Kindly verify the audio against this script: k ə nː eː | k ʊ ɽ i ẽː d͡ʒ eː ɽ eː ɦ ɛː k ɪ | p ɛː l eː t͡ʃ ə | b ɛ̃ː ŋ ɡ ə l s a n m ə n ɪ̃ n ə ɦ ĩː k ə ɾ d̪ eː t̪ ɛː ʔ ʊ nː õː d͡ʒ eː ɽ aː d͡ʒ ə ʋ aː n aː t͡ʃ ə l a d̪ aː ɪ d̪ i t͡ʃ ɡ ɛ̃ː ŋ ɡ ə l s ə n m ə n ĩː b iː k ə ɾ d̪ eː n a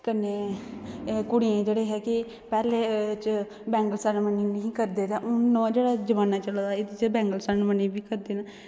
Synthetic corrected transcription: k ə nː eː | k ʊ ɽ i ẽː d͡ʒ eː ɽ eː ɦ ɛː k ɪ | p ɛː l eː t͡ʃ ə | b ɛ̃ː ŋ ɡ ə l s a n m ə n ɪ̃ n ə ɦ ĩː k ə ɾ d̪ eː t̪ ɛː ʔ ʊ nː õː d͡ʒ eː ɽ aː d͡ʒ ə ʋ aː n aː t͡ʃ ə l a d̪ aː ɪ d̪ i t͡ʃ b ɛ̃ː ŋ ɡ ə l s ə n m ə n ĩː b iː k ə ɾ d̪ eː n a